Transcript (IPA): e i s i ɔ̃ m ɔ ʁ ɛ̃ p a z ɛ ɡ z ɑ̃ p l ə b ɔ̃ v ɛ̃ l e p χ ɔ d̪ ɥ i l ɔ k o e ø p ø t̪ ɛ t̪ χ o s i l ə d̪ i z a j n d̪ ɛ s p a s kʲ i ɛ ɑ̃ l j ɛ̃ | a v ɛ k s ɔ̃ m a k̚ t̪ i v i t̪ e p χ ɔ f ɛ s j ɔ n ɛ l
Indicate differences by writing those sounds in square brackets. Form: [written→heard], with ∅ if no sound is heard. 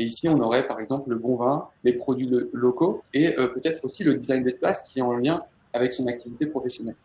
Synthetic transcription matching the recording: e i s i ɔ̃ [m→n] ɔ ʁ [ɛ̃→ɛ] p a [z→ʁ] ɛ ɡ z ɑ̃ p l ə b ɔ̃ v ɛ̃ l e p χ ɔ d̪ ɥ i l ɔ k o e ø p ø t̪ ɛ t̪ χ o s i l ə d̪ i z a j n d̪ ɛ s p a s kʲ i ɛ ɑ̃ l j ɛ̃ | a v ɛ k s ɔ̃ [m→n] a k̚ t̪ i v i t̪ e p χ ɔ f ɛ s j ɔ n ɛ l